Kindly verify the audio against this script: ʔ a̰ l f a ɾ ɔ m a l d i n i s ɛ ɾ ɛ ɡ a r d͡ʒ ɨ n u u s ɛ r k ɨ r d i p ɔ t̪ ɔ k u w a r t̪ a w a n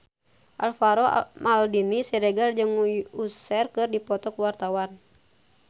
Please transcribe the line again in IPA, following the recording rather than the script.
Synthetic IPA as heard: ʔ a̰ l f a ɾ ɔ m a l d i n i s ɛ ɾ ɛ ɡ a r d͡ʒ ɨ ŋ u u s ɛ r k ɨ r d i p ɔ t̪ ɔ k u w a r t̪ a w a n